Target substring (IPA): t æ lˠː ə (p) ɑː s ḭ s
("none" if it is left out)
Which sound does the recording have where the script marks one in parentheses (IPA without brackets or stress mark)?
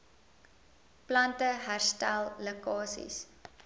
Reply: k